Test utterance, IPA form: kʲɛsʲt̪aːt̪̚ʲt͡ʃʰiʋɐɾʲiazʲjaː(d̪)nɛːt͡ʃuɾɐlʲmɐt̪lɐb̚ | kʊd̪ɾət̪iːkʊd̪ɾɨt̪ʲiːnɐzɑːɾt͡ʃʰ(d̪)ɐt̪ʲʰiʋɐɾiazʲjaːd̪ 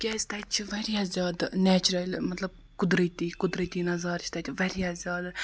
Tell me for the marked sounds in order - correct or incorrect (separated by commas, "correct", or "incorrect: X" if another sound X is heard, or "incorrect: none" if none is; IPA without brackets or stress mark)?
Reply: correct, incorrect: t̪